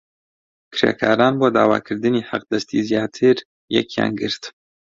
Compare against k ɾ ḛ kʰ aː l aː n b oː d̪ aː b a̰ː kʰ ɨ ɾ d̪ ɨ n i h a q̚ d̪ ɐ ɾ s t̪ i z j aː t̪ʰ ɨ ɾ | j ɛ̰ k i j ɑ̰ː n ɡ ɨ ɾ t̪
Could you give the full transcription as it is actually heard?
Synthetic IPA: k ɾ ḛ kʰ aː ɾ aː n b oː d̪ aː w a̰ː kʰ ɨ ɾ d̪ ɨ n i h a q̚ d̪ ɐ s t̪ i z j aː t̪ʰ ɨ ɾ | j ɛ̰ k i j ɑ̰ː n ɡ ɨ ɾ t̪